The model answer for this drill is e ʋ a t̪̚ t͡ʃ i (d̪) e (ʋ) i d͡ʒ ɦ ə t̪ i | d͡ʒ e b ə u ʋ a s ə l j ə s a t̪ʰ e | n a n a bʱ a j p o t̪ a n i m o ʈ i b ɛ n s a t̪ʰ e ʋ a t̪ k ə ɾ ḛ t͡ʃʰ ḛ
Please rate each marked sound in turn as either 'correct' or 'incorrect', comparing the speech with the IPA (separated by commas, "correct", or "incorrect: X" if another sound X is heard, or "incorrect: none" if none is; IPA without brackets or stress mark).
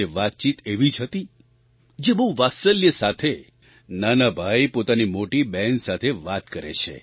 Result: incorrect: t̪, correct